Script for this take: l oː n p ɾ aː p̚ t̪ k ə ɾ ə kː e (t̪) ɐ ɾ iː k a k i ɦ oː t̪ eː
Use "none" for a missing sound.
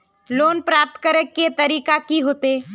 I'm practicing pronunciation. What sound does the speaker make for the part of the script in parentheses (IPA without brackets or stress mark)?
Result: t̪